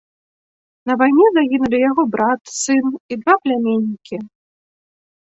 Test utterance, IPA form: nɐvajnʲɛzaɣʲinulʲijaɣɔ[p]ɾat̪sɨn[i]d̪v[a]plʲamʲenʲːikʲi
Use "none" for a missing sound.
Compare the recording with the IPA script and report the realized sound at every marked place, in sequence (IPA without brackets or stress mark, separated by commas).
b, i, a